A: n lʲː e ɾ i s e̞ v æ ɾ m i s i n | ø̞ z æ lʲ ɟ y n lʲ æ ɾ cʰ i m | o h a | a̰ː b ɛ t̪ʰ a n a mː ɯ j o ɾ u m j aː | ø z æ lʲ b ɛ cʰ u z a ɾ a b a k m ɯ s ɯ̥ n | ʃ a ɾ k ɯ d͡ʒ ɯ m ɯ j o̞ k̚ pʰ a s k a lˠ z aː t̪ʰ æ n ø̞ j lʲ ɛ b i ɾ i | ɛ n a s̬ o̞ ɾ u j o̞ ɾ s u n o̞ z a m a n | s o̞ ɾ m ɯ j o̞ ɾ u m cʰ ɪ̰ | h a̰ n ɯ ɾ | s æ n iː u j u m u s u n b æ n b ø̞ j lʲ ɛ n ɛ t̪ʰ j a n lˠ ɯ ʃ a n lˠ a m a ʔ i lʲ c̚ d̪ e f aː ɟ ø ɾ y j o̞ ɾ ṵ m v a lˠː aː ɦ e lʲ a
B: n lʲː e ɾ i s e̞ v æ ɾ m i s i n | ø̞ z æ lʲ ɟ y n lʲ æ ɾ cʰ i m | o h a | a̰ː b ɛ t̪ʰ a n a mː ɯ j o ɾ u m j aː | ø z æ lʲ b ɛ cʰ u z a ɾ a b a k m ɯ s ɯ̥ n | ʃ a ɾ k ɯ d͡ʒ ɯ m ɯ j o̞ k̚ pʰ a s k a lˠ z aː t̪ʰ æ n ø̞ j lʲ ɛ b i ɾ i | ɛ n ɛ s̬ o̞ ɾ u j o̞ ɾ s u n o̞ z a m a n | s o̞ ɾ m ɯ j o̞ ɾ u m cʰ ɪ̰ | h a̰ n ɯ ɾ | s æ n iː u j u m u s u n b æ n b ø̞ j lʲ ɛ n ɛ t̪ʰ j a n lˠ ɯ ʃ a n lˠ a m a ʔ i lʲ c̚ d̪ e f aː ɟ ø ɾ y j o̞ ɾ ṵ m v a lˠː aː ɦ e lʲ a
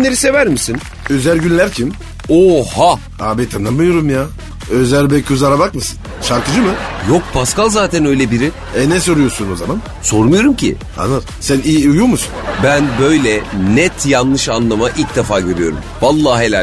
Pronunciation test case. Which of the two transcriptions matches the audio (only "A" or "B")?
B